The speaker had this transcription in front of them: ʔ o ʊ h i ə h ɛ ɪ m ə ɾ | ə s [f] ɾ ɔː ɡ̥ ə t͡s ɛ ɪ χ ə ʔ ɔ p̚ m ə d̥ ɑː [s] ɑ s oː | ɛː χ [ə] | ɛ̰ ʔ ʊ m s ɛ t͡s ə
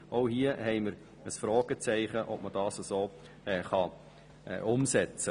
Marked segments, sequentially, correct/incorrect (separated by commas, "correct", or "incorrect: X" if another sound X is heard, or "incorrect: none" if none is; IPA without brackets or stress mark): correct, correct, incorrect: ɑ